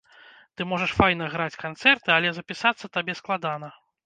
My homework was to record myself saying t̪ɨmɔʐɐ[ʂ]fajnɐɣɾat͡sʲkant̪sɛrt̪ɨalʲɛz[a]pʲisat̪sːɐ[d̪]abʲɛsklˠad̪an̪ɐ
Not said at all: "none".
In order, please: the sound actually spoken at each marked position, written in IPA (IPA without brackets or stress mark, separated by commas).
ʂ, ɐ, t̪